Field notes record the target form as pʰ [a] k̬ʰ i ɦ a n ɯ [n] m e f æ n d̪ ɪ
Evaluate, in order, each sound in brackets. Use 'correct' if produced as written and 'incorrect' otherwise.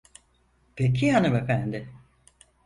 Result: incorrect, incorrect

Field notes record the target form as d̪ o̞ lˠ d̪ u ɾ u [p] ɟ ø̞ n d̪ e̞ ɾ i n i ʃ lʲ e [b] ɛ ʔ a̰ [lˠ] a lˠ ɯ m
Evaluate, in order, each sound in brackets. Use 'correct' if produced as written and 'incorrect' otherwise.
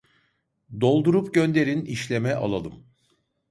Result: correct, incorrect, correct

